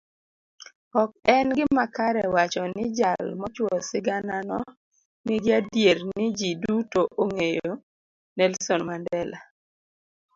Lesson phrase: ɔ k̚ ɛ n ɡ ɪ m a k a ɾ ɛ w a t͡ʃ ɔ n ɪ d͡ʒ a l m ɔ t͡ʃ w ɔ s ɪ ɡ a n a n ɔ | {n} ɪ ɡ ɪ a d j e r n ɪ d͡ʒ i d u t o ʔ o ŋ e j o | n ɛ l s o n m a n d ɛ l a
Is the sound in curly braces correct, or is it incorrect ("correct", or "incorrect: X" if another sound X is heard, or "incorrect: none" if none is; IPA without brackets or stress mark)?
correct